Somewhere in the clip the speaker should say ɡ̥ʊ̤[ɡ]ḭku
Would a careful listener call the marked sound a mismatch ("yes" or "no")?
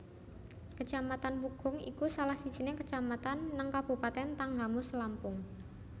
yes